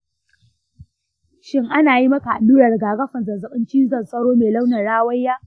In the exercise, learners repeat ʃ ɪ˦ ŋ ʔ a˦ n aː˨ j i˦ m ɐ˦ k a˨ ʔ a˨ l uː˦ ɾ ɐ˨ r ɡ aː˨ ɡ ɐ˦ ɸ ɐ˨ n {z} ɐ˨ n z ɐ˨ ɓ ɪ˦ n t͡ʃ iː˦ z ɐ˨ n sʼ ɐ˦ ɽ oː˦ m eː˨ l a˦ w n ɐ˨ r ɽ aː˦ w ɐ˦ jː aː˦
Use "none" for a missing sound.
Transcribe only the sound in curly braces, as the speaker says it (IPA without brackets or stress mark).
z